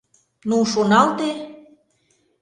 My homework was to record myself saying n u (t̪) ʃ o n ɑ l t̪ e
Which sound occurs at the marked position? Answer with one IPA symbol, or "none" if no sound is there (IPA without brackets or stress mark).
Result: none